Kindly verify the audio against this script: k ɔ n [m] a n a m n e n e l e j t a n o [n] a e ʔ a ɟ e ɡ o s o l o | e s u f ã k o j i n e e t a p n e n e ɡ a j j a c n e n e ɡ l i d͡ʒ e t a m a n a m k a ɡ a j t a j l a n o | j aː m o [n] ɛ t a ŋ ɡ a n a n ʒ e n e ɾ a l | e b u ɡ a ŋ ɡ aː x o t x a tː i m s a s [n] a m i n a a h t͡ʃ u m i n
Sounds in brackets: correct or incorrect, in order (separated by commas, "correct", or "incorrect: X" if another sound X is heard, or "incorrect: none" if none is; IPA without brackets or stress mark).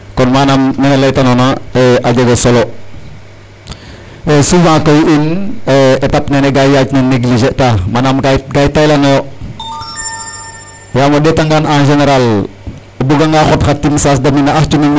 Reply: correct, correct, incorrect: d, incorrect: d